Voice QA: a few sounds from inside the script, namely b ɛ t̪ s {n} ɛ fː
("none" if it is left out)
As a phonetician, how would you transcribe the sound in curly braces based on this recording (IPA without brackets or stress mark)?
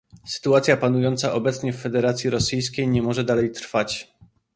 ɲ